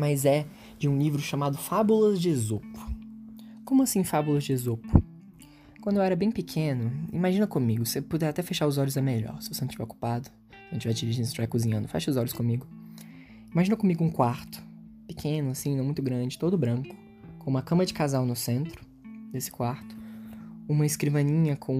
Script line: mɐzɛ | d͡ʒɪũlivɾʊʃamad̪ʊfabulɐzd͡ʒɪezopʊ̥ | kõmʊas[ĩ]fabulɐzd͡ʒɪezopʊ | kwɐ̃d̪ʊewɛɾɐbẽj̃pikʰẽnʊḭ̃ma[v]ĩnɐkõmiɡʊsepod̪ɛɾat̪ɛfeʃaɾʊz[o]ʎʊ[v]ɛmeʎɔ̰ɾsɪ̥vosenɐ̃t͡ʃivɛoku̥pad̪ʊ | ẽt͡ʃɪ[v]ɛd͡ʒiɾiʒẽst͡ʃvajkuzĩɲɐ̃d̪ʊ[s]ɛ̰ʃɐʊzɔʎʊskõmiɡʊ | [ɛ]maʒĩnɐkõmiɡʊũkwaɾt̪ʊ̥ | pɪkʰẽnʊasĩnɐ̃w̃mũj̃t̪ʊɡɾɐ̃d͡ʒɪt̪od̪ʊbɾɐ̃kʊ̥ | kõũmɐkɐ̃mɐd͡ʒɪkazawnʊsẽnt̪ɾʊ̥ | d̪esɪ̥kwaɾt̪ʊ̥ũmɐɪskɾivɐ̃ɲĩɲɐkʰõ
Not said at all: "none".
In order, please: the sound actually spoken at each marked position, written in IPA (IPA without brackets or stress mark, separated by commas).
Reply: ĩ, ʒ, ɔ, z, v, f, i